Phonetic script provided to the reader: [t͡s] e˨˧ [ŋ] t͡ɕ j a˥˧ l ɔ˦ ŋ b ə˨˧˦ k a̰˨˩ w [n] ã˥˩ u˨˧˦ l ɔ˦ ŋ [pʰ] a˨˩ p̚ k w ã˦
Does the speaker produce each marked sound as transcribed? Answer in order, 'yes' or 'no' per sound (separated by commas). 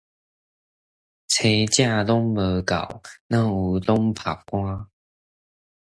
no, no, yes, yes